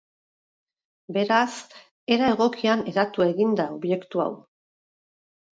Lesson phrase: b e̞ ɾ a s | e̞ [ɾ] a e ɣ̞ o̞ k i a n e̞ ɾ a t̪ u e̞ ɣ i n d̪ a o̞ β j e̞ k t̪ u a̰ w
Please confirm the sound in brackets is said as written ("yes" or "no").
yes